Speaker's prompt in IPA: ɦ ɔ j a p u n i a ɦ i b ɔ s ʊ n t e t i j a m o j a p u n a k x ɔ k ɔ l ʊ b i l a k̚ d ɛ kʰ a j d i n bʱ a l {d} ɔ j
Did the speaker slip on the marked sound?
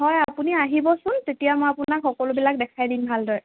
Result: no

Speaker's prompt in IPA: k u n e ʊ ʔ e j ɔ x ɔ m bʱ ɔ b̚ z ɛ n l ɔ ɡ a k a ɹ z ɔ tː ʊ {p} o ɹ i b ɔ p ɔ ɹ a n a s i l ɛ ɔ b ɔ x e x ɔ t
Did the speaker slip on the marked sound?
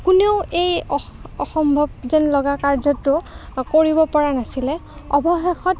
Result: yes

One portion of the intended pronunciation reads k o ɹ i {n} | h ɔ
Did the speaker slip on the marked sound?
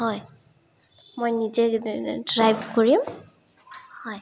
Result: yes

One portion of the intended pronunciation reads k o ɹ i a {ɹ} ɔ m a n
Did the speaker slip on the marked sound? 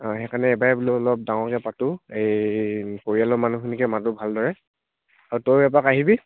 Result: yes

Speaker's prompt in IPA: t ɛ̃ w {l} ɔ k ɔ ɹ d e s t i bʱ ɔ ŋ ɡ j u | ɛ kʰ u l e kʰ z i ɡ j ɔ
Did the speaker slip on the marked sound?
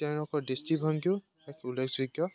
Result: no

